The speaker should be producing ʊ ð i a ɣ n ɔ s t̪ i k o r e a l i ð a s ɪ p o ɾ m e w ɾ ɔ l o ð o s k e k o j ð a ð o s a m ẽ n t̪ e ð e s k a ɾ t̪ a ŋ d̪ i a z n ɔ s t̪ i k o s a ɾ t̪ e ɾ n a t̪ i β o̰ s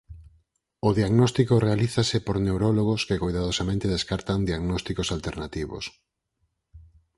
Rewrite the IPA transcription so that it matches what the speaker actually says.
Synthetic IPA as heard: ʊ ð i a ɣ n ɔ s t̪ i k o r e a l i θ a s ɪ p o ɾ n e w ɾ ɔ l o ɣ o s k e k o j ð a ð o s a m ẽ n t̪ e ð e s k a ɾ t̪ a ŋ d̪ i a ɣ n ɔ s t̪ i k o s a l t̪ e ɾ n a t̪ i β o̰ s